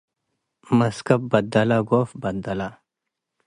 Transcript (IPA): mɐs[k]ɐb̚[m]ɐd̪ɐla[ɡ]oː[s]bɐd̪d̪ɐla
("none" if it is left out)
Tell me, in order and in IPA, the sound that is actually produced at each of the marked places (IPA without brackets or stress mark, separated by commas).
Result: k, b, ɡ, f